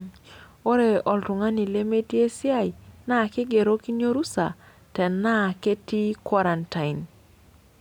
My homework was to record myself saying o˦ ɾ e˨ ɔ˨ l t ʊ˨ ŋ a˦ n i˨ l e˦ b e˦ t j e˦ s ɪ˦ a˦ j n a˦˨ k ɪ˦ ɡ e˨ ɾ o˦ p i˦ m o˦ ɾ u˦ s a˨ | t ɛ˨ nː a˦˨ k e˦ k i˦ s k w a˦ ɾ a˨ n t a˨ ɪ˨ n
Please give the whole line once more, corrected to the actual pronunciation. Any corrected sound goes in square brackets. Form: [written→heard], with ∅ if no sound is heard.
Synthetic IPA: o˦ ɾ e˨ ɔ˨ l t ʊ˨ ŋ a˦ n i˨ l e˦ [b→m] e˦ t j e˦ s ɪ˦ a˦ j n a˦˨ k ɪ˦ ɡ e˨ ɾ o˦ [p→k] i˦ [m→ɲ] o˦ ɾ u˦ s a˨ | t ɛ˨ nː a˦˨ k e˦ [k→t] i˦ [s→∅] k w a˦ ɾ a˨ n t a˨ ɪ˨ n